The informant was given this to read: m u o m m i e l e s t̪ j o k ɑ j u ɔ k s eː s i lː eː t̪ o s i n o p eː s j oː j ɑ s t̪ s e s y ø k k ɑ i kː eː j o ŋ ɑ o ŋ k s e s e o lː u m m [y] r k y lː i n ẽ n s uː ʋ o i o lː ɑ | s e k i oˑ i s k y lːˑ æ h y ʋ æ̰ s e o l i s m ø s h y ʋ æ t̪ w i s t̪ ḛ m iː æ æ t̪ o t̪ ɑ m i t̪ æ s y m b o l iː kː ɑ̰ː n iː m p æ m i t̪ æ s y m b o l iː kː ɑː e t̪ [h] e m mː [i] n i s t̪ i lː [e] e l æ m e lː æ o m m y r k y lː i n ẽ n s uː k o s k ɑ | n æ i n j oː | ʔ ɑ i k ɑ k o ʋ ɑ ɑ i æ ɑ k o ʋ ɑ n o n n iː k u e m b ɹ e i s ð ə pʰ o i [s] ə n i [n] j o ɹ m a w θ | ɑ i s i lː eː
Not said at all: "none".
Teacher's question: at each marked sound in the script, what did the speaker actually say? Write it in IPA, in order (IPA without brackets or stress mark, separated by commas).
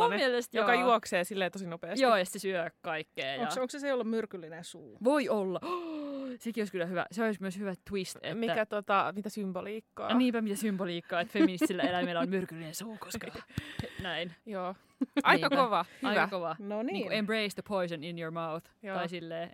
y, f, i, æ, s, n